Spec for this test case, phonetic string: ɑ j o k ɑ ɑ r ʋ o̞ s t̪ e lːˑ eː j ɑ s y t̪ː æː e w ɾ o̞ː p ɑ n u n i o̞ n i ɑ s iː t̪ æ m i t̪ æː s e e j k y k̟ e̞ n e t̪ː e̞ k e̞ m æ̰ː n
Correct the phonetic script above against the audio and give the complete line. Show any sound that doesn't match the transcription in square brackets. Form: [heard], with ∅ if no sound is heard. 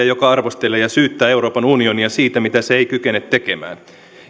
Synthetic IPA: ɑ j o k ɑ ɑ r ʋ o̞ s t̪ e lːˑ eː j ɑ s [yː] t̪ː æː e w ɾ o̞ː p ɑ n u n i o̞ n i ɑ s iː t̪ æ m i t̪ [æ] s e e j k y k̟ e̞ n e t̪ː e̞ k e̞ m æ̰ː n